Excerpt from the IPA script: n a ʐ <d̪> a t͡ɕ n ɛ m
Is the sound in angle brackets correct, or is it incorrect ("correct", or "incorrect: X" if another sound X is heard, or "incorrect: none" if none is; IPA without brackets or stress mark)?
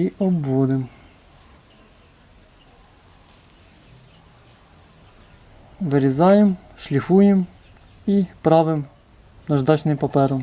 correct